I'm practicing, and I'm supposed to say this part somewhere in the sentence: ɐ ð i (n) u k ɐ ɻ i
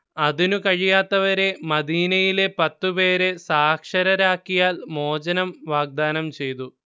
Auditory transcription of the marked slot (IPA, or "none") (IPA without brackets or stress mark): n